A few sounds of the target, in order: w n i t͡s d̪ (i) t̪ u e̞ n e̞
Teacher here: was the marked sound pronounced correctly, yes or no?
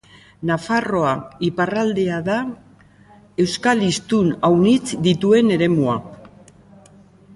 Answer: yes